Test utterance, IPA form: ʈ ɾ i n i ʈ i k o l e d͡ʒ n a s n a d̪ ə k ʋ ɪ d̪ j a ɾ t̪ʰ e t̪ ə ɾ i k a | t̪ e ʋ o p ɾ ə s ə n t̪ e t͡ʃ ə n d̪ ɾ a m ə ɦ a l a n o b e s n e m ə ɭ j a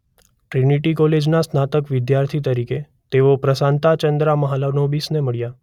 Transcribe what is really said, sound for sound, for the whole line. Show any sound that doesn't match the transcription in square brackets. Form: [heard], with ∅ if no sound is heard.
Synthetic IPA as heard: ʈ ɾ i n i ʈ i k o l e d͡ʒ n a s n a [t̪] ə k ʋ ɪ d̪ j a ɾ t̪ʰ [i] t̪ ə ɾ i k [e] | t̪ e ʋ o p ɾ ə s [a] n t̪ [a] t͡ʃ ə n d̪ ɾ a m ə ɦ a l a n o b [i] s n e m ə ɭ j a